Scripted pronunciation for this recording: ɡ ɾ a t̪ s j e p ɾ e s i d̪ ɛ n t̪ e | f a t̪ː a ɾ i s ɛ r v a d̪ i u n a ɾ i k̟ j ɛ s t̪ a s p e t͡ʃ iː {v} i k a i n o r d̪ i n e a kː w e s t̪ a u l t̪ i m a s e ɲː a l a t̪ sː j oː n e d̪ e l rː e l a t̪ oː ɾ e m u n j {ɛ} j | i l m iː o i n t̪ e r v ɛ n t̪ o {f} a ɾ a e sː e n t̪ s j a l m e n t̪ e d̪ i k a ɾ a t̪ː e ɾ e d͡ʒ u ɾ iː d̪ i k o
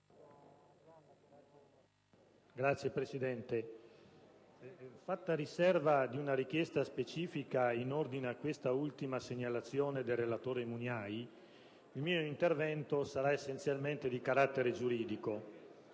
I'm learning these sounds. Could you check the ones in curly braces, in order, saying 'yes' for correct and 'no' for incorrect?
no, no, no

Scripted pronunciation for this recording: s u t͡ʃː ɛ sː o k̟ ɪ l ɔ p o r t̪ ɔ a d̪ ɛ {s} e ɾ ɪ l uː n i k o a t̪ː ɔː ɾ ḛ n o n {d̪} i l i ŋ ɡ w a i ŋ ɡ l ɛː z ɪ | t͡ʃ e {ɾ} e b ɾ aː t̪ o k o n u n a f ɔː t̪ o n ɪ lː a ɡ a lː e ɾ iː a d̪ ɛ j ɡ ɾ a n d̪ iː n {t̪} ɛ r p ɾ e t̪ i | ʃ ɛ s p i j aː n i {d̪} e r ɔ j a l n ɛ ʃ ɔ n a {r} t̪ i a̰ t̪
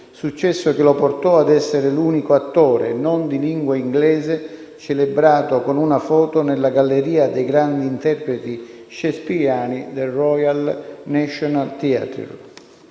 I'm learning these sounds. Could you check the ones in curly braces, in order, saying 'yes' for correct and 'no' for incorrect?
no, yes, no, yes, yes, no

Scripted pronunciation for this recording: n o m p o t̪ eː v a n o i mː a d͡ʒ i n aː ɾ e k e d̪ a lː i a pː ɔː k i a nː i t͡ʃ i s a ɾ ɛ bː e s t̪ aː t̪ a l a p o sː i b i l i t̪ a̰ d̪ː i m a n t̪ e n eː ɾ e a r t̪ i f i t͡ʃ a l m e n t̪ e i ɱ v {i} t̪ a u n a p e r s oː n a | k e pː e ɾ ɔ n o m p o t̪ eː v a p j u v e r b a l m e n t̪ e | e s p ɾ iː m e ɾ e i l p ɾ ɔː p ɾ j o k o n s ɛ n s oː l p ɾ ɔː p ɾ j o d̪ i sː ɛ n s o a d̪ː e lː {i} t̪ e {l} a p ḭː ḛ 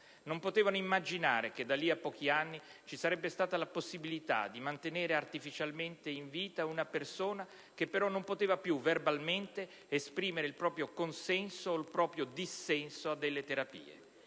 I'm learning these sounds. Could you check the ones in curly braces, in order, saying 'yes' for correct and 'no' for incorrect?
no, no, no

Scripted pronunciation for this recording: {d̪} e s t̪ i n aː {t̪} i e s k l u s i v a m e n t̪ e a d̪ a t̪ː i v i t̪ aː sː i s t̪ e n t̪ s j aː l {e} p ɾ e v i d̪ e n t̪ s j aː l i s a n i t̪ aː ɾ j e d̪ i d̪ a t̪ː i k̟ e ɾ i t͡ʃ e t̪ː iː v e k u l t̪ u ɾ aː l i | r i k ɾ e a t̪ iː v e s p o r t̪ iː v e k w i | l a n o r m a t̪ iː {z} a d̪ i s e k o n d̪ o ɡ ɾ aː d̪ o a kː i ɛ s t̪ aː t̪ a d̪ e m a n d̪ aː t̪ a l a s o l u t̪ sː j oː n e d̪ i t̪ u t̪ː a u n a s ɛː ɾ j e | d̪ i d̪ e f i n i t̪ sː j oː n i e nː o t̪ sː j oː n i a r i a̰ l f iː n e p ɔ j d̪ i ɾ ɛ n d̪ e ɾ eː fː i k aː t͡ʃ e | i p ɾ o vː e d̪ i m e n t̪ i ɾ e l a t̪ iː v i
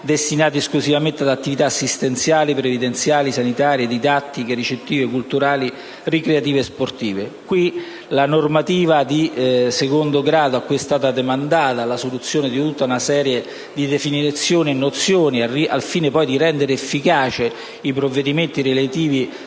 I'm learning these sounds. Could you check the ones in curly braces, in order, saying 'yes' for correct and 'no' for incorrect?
yes, yes, no, no

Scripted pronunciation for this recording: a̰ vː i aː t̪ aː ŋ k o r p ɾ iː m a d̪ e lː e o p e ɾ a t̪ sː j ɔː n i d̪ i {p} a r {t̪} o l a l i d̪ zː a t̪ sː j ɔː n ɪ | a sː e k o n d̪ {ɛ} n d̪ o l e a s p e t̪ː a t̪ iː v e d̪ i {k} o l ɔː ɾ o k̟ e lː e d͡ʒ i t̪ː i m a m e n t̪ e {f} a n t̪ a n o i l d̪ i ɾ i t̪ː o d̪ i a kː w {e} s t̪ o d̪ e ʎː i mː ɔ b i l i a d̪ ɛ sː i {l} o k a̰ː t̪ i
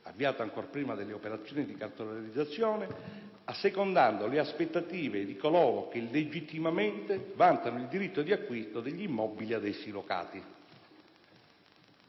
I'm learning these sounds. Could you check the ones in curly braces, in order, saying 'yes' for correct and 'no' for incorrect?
no, yes, no, yes, no, no, yes

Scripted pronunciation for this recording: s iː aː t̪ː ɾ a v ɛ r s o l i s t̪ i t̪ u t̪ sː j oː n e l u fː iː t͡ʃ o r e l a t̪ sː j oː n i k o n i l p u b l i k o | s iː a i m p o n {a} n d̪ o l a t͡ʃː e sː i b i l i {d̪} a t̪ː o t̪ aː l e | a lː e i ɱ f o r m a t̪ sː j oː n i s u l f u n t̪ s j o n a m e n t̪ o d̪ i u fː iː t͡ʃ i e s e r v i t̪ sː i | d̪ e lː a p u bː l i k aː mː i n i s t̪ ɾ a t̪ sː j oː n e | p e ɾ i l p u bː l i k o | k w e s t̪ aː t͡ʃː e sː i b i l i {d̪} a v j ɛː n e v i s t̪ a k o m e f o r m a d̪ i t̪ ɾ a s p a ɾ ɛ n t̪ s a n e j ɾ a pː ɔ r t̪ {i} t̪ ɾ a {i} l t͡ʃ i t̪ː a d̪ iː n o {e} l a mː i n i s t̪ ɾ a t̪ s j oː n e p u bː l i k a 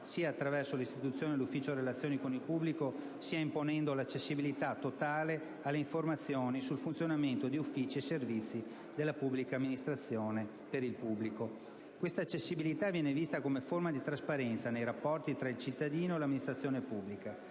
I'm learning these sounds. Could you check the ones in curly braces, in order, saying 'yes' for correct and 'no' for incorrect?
no, no, no, yes, yes, yes

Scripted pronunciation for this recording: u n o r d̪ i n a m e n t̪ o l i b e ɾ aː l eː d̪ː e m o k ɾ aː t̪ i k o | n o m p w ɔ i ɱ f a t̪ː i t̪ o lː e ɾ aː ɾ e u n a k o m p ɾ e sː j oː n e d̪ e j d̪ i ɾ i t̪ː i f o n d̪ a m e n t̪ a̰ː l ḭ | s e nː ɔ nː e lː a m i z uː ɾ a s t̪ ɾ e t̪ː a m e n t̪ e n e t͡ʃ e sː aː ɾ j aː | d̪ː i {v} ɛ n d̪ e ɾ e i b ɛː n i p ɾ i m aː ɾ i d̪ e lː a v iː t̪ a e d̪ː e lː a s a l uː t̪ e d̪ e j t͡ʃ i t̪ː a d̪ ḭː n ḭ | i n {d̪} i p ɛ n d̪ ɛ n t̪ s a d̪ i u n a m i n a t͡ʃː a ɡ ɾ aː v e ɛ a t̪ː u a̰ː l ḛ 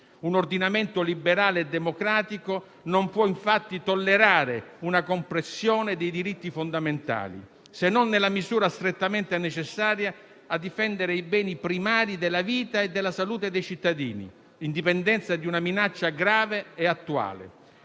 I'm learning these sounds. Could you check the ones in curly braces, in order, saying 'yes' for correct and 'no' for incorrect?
no, yes

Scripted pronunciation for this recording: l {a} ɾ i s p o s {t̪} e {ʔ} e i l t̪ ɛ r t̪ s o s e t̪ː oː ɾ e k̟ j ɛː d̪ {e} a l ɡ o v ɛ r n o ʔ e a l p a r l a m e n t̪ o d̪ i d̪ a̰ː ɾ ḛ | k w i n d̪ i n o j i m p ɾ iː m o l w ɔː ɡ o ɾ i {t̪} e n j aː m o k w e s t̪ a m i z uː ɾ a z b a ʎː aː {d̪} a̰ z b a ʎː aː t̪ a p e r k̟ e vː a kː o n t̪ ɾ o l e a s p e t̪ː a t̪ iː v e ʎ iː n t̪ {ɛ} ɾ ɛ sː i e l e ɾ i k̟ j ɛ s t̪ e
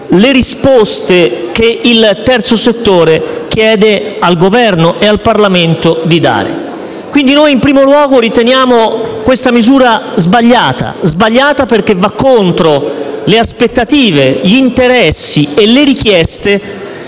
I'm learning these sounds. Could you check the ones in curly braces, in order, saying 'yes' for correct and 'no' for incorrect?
no, yes, no, yes, yes, no, no

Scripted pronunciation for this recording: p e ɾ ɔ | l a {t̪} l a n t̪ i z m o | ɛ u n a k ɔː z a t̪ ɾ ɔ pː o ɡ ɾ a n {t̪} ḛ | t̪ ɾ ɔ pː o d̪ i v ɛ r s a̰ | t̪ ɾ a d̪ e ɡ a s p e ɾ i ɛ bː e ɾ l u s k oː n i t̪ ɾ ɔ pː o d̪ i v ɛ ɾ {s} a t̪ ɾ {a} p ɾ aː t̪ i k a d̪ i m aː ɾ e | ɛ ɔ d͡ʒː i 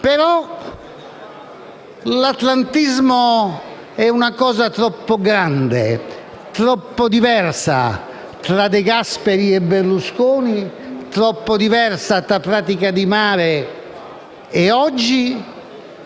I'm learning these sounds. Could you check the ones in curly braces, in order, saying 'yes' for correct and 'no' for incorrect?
yes, no, yes, yes

